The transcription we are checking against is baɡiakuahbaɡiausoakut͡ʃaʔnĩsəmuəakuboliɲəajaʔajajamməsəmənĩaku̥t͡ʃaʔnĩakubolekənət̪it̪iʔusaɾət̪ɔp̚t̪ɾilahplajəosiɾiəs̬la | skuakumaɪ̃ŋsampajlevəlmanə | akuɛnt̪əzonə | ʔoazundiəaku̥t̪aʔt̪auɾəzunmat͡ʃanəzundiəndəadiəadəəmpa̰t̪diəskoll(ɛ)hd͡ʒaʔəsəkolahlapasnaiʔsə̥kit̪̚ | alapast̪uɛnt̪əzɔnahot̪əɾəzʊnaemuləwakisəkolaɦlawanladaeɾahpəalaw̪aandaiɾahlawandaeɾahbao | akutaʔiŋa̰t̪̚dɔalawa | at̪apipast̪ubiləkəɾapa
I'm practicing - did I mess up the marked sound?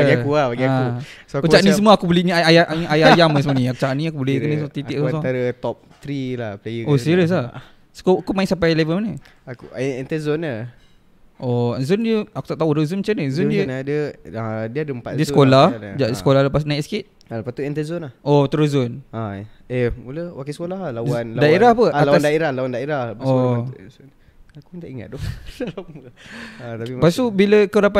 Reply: yes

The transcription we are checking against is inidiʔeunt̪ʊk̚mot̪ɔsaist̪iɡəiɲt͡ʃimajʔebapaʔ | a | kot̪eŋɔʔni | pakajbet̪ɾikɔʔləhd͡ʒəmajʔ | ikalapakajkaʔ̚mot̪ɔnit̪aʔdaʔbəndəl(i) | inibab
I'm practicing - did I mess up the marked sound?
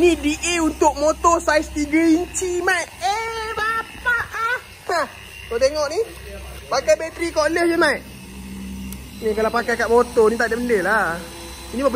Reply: yes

